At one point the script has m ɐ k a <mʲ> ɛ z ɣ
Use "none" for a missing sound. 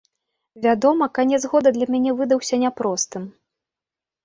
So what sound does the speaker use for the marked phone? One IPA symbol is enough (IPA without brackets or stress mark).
nʲ